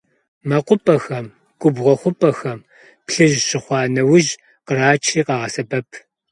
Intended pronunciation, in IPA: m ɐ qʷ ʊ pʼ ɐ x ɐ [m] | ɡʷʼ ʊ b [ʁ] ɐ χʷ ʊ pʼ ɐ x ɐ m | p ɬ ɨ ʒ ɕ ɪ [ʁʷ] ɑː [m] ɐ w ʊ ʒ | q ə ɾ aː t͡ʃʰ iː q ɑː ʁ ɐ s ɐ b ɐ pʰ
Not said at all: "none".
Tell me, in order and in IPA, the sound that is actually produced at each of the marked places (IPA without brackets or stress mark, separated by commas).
m, ʁ, χʷ, n